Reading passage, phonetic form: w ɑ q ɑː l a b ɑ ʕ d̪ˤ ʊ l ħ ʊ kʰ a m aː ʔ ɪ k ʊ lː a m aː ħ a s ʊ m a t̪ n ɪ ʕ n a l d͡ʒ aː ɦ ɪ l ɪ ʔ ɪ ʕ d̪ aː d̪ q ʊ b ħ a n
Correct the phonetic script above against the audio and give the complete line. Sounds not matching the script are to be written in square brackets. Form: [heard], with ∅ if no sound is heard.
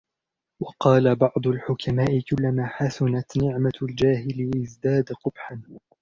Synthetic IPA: w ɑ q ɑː l a b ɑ ʕ d̪ˤ ʊ l ħ ʊ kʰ a m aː ʔ ɪ k ʊ lː a m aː ħ a s ʊ [n] a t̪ n ɪ ʕ [m] a l d͡ʒ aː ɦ ɪ l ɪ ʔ ɪ [z] d̪ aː d̪ q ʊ b ħ a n